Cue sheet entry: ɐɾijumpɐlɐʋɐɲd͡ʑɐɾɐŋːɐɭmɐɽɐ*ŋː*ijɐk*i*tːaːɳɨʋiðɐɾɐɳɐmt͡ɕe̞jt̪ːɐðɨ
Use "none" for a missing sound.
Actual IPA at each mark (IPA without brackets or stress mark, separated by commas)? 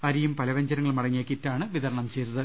ŋː, i